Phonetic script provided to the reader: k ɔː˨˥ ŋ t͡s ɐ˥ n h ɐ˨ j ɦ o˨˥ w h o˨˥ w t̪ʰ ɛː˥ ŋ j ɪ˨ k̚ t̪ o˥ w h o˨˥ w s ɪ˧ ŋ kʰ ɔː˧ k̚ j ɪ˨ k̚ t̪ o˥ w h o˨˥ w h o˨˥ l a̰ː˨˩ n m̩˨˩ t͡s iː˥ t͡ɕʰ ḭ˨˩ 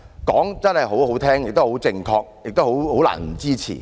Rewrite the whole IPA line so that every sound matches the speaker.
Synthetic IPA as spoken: k ɔː˨˥ ŋ t͡s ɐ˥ n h ɐ˨ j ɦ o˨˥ w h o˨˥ w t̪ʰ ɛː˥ ŋ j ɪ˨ k̚ t̪ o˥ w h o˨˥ w t͡s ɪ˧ ŋ kʰ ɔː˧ k̚ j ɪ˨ k̚ t̪ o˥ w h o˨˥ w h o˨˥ l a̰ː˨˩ n m̩˨˩ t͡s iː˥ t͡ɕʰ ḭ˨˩

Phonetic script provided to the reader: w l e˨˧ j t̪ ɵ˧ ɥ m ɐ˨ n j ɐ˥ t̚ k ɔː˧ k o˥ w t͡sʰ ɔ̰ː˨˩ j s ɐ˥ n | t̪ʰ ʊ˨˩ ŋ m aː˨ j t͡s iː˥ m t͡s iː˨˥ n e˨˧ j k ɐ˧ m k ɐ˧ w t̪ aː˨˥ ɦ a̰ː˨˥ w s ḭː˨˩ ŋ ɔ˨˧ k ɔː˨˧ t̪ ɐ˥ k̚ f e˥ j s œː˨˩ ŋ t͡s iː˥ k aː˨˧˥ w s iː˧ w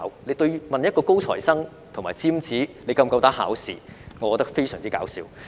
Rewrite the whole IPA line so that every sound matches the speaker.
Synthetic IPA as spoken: w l e˨˧ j t̪ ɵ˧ ɥ m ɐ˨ n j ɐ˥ t̚ k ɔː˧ k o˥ w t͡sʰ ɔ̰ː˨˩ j s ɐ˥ ŋ | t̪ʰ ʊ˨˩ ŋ m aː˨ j t͡s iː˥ m t͡s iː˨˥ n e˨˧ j k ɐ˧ m k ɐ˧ w t̪ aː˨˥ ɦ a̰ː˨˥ w s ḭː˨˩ ŋ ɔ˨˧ k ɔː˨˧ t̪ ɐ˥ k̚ f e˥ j s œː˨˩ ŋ t͡s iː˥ k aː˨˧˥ w s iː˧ w

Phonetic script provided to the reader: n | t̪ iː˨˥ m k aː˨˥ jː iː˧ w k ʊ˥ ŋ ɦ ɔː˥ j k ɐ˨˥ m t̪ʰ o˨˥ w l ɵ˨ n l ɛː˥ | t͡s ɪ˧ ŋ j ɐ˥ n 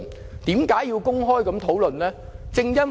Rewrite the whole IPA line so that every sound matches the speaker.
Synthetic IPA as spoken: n | t̪ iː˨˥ m k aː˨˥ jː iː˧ w k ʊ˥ ŋ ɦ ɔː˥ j k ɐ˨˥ m t̪ʰ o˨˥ w l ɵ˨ n l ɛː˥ | t͡s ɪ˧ ŋ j ɐ˥ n

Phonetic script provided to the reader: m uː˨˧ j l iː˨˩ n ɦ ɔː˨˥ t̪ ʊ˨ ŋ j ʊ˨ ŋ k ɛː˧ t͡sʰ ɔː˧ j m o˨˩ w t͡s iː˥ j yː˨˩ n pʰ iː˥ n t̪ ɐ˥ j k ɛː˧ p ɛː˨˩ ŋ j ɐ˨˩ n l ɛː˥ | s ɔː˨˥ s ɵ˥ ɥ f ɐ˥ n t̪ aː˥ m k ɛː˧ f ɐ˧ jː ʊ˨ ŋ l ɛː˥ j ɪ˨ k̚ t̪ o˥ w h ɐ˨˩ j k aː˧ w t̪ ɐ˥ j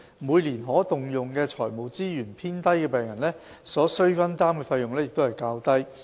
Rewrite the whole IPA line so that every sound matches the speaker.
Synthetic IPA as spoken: m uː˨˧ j l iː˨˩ n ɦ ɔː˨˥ t̪ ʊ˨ ŋ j ʊ˨ ŋ k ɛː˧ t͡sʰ ɔː˨˩ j m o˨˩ w t͡s iː˥ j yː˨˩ n pʰ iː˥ n t̪ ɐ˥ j k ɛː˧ p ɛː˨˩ ŋ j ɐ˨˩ n l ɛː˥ | s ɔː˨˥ s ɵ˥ ɥ f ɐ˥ n t̪ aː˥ m k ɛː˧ f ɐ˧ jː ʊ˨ ŋ l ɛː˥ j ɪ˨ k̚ t̪ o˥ w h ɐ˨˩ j k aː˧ w t̪ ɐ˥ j

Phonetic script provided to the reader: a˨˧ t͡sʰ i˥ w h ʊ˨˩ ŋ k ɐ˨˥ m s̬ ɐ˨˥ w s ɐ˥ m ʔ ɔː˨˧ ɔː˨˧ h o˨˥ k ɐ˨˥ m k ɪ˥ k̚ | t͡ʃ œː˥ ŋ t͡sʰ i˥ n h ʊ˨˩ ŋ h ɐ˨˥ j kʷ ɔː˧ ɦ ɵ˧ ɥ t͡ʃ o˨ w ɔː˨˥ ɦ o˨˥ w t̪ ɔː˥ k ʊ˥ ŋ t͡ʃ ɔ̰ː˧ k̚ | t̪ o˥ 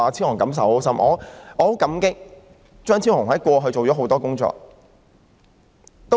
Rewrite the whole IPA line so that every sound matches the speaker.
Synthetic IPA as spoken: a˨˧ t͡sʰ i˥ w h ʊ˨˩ ŋ k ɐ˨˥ m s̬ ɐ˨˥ w s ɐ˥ m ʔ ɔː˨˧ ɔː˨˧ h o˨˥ k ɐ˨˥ m k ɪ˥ k̚ | t͡ʃ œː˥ ŋ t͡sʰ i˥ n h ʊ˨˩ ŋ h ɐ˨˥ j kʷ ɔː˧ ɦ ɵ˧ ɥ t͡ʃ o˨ w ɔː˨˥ ɦ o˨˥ w t̪ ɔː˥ k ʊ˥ ŋ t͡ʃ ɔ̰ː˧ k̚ | t̪ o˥

